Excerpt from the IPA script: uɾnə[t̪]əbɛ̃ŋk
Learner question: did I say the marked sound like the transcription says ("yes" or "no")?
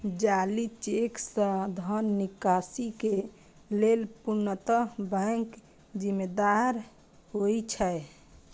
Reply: yes